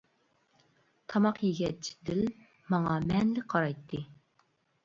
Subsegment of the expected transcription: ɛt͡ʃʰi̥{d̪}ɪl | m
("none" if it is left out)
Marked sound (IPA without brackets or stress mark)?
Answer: d̪